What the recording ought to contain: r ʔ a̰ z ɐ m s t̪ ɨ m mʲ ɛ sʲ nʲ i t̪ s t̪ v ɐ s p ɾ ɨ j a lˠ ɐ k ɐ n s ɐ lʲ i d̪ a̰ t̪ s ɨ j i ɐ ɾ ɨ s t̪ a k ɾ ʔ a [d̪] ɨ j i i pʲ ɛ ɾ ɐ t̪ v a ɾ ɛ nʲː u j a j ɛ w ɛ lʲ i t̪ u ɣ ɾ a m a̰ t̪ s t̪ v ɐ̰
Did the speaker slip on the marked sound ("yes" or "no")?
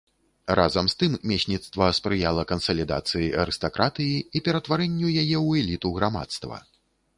yes